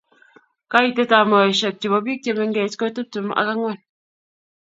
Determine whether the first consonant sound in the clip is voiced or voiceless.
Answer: voiceless